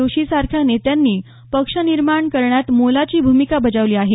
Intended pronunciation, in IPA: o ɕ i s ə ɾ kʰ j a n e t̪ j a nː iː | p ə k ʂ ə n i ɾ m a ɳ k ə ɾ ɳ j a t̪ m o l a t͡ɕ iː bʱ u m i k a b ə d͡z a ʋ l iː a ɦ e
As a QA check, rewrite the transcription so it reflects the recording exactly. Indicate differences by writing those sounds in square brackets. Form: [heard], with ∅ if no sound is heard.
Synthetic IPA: o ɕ i s [a] ɾ kʰ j a n e t̪ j a nː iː | p ə k ʂ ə n i ɾ m a ɳ k ə ɾ ɳ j a t̪ m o l a t͡ɕ iː bʱ u m i k a b ə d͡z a ʋ l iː a ɦ e